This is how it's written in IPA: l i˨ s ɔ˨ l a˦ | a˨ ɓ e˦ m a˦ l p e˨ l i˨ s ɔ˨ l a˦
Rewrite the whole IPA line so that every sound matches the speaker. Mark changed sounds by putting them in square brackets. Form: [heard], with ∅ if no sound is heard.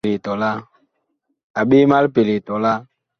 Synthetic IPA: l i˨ [t] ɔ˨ l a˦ | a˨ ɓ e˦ m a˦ l p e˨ l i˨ [t] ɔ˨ l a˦